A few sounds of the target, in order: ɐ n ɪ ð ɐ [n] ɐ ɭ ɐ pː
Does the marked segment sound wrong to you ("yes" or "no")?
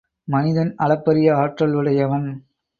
no